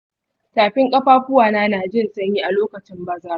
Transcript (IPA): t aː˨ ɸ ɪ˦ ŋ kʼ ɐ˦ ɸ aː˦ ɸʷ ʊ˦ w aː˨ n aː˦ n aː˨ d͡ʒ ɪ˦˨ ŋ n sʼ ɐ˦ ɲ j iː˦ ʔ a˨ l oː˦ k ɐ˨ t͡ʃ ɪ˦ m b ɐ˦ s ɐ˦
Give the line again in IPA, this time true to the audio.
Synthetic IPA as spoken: t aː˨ ɸ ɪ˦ ŋ kʼ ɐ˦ ɸ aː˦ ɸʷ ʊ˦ w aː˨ n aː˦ n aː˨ d͡ʒ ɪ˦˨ n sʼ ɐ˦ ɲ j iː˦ ʔ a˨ l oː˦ k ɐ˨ t͡ʃ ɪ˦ m b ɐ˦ z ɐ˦